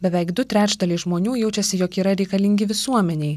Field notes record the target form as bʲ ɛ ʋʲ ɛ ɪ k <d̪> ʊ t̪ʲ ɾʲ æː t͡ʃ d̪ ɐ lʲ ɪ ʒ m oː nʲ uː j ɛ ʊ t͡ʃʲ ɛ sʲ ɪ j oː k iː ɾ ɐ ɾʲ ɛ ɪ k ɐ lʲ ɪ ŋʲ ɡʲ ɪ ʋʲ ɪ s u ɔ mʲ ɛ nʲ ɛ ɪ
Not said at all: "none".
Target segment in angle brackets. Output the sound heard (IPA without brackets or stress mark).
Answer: d̪